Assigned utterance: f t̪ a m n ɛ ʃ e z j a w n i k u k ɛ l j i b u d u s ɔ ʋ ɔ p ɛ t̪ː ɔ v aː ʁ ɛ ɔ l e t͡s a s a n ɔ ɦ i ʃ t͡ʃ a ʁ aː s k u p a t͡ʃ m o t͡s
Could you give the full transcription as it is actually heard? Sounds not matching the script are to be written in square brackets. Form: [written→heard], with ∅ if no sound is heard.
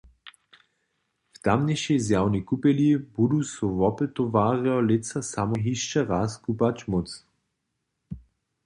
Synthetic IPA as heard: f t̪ a m n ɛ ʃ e z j a w n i k u [k→p] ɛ l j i b u d u s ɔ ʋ ɔ p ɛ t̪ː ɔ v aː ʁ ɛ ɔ l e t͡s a s a [n→m] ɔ ɦ i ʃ t͡ʃ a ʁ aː s k u p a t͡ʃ m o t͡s

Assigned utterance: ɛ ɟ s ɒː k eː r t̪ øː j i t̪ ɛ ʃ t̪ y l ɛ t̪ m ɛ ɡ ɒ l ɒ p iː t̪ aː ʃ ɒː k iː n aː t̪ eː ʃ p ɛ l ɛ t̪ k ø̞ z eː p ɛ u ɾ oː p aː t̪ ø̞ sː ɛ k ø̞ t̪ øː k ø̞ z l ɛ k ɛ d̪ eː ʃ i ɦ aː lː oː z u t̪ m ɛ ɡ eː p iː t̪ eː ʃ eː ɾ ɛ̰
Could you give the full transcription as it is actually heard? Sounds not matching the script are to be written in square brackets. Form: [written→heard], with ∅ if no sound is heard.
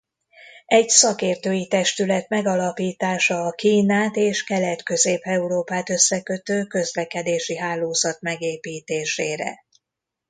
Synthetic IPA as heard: ɛ ɟ s [ɒː→ɒ] k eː r t̪ øː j i t̪ ɛ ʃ t̪ y l ɛ t̪ m ɛ ɡ ɒ l ɒ p iː t̪ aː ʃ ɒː k iː n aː t̪ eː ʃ [p→k] ɛ l ɛ t̪ k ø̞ z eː p ɛ u ɾ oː p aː t̪ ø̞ sː ɛ k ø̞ t̪ øː k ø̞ z l ɛ k ɛ d̪ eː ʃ i ɦ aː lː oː z [u→ɒ] t̪ m ɛ ɡ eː p iː t̪ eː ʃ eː ɾ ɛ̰

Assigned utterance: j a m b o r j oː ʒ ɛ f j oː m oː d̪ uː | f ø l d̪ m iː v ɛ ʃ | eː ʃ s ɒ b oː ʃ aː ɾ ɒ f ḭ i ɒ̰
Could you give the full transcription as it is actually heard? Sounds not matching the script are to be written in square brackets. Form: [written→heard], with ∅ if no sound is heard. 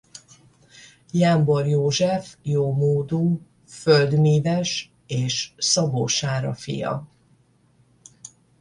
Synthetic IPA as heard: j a m b o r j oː ʒ ɛ f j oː m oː d̪ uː | f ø l d̪ m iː v ɛ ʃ | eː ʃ s ɒ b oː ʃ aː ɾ ɒ f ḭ [i→j] ɒ̰

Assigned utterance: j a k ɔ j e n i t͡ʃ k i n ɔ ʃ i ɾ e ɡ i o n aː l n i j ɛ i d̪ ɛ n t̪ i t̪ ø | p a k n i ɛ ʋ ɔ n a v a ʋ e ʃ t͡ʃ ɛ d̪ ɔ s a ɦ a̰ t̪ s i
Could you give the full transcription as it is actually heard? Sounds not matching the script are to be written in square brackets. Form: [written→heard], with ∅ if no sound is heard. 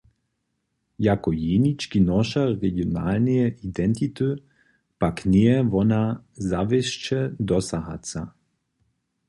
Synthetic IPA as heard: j a k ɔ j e n i t͡ʃ k i n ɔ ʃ [i→a] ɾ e ɡ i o n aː l n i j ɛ i d̪ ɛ n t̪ i t̪ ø | p a k n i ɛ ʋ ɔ n a [v→z] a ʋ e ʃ t͡ʃ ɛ d̪ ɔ s a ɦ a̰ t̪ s [i→a]

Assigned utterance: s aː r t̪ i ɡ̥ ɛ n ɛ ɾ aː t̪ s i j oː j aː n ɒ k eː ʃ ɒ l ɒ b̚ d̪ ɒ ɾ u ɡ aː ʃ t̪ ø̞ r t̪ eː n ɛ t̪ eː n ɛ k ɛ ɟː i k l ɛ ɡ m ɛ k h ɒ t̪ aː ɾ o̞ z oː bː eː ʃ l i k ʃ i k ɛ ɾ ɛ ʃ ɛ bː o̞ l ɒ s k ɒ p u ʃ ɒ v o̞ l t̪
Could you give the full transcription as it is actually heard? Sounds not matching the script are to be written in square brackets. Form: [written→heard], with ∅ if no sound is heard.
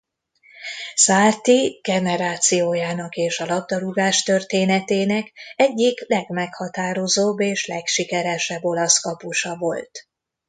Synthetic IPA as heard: s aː r t̪ i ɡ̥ ɛ n ɛ ɾ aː t̪ s i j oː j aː n ɒ k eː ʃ ɒ l ɒ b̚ d̪ ɒ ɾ u ɡ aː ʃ t̪ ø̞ r t̪ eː n ɛ t̪ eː n ɛ k ɛ ɟː i k l ɛ ɡ m ɛ k h ɒ t̪ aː ɾ o̞ z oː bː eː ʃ l [i→ɛ] k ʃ i k ɛ ɾ ɛ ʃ ɛ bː o̞ l ɒ s k ɒ p u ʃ ɒ v o̞ l t̪

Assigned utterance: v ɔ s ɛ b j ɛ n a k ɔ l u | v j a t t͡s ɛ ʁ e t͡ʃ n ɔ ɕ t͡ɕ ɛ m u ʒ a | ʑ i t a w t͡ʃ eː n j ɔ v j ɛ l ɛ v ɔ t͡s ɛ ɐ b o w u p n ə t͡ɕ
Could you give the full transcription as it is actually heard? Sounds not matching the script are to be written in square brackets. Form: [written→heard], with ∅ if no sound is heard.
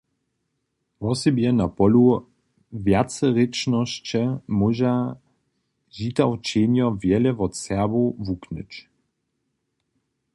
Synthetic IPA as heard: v ɔ s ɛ b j ɛ n a [k→p] ɔ l u | v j a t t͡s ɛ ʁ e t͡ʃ n ɔ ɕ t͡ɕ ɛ m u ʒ a | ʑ i t a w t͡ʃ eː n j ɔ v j ɛ l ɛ v ɔ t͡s ɛ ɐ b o [w→v] u [p→k] n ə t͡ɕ

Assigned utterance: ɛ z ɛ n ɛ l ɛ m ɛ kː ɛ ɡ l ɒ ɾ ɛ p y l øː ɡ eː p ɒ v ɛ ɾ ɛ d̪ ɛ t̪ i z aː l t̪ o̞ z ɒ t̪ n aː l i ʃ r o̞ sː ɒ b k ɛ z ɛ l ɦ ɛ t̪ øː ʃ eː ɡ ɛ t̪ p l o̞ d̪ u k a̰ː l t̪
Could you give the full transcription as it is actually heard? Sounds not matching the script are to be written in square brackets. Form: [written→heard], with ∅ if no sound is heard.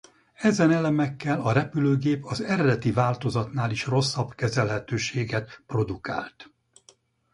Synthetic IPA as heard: ɛ z ɛ n ɛ l ɛ m ɛ kː ɛ [ɡ→∅] l ɒ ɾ ɛ p y l øː ɡ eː p ɒ [v→z] ɛ ɾ ɛ d̪ ɛ t̪ i [z→v] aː l t̪ o̞ z ɒ t̪ n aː l i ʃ r o̞ sː ɒ b k ɛ z ɛ l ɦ ɛ t̪ øː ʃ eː ɡ ɛ t̪ p [l→r] o̞ d̪ u k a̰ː l t̪

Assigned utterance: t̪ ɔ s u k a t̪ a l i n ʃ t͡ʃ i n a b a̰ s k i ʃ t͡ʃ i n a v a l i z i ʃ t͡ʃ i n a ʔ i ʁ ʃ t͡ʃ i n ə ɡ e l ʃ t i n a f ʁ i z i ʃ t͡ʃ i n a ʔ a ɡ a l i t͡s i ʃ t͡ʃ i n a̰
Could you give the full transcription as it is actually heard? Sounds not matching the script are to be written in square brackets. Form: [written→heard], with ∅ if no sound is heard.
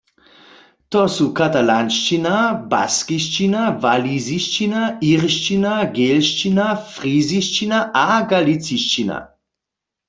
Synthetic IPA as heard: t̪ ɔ s u k a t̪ a l [i→a] n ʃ t͡ʃ i n a b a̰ s k i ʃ t͡ʃ i n a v a l i z i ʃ t͡ʃ i n a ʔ i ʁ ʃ t͡ʃ i n [ə→a] ɡ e l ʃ [t→t͡ʃ] i n a f ʁ i z i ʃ t͡ʃ i n a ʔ a ɡ a l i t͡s i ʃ t͡ʃ i n a̰

